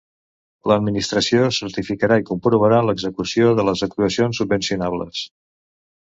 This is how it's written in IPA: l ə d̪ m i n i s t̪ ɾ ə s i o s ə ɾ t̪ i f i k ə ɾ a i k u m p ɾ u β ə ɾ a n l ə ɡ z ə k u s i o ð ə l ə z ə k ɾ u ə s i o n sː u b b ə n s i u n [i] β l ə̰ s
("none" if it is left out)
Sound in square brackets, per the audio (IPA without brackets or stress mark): a